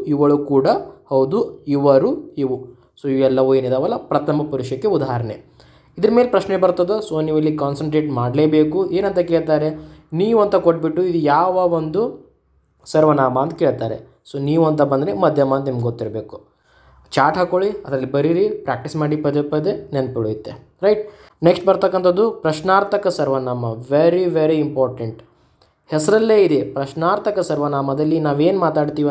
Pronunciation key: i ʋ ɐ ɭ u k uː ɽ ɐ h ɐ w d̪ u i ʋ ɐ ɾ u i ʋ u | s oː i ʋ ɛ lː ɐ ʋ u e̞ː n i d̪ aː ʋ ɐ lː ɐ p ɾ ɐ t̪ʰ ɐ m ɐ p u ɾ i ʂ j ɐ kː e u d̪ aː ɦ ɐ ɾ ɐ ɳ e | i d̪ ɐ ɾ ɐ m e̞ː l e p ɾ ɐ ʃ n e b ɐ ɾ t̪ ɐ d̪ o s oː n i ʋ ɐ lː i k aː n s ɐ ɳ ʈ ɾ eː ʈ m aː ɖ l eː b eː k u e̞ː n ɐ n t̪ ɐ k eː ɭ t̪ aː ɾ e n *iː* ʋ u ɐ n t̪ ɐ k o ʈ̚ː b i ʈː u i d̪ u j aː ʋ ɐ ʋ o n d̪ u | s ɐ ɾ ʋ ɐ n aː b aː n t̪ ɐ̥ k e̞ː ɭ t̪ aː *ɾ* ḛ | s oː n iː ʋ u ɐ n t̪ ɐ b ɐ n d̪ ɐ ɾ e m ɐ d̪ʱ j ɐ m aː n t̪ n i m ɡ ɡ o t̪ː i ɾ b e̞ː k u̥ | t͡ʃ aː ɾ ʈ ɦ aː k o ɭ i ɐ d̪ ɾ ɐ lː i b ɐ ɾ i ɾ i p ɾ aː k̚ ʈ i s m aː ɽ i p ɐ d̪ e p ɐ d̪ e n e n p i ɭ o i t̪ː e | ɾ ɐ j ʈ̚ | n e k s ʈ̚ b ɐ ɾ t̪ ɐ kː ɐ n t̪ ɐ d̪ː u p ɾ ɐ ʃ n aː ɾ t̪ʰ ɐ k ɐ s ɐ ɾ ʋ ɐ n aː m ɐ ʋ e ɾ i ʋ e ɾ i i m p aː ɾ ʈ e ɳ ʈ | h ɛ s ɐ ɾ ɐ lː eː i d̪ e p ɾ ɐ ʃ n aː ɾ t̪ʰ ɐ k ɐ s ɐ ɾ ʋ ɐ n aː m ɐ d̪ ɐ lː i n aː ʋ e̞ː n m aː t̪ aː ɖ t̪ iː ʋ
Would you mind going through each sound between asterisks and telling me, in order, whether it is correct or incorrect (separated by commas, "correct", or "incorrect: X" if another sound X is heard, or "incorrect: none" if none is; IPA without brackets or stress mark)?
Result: correct, correct